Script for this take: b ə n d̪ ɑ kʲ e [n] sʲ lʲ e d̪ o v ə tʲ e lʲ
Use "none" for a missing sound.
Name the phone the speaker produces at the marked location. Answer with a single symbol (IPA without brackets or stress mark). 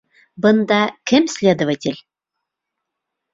m